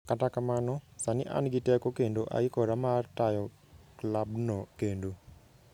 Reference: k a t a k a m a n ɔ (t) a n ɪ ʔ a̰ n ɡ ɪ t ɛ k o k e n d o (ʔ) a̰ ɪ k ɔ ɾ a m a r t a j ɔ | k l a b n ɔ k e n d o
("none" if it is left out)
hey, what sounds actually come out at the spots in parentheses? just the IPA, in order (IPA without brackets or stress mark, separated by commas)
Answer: s, ʔ